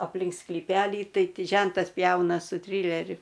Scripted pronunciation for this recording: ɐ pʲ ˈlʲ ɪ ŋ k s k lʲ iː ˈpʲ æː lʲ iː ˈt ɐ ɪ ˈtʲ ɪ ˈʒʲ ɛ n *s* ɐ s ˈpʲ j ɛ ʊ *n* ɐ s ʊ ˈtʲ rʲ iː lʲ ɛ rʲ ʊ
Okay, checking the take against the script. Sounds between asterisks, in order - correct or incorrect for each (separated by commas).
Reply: incorrect, correct